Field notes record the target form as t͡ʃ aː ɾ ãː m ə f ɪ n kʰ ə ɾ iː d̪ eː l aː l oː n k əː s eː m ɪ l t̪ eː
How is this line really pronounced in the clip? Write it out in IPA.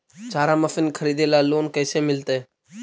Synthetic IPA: t͡ʃ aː ɾ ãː m ə f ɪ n kʰ ə ɾ iː d̪ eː l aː l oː n k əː s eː m ɪ l t̪ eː